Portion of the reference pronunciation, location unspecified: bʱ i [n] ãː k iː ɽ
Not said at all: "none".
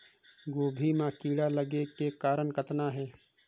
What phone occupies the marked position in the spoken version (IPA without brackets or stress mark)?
m